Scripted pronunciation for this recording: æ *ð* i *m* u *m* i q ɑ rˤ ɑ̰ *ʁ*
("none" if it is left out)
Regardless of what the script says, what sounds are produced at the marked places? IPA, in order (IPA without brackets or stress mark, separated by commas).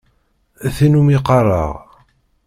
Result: θ, n, m, ʁ